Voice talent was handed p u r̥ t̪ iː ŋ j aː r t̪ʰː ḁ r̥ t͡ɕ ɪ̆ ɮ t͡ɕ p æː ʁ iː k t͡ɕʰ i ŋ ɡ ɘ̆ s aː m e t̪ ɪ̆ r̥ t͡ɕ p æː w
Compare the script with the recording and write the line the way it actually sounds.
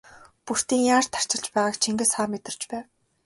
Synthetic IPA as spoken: p u r̥ t̪ iː ŋ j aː r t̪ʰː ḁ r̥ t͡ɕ ɪ̆ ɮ t͡ɕ p æː ʁ aː k t͡ɕʰ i ŋ ɡ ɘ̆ s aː m e t̪ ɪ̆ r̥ t͡ɕ p æː w